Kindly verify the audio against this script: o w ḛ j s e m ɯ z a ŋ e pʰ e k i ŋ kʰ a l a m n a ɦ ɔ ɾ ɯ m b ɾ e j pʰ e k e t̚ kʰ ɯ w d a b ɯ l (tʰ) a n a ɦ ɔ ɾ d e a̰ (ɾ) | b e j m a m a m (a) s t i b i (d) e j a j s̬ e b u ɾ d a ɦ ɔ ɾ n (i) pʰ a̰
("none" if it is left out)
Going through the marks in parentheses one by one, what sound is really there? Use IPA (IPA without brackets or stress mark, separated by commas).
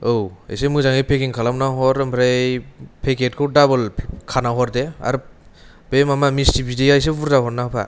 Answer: kʰ, ɾ, i, d, a